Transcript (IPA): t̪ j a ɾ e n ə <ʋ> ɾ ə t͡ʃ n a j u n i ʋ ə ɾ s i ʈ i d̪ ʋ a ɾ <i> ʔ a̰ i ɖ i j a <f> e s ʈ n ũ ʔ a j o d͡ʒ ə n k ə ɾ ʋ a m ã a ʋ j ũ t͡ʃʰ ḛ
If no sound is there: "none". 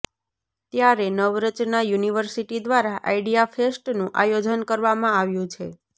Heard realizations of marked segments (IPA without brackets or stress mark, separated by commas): ʋ, a, f